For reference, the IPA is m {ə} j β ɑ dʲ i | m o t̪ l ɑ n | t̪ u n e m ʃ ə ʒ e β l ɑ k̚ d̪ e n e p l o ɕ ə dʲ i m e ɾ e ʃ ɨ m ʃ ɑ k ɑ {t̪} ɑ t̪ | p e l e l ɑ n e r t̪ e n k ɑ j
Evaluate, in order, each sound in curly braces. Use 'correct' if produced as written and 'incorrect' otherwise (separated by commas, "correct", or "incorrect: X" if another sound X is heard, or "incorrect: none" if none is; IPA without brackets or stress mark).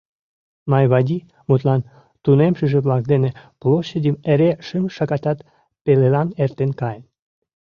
incorrect: ɑ, correct